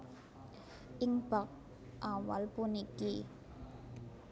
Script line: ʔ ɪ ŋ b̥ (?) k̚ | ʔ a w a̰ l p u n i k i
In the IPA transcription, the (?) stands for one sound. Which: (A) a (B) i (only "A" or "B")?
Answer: A